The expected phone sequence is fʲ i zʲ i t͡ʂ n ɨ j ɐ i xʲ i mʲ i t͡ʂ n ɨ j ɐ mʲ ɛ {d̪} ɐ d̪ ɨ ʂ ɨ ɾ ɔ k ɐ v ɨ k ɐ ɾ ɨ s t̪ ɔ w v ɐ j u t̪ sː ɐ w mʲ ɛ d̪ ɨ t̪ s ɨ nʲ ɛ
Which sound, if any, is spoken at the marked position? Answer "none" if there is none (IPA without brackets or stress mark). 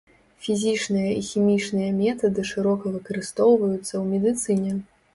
t̪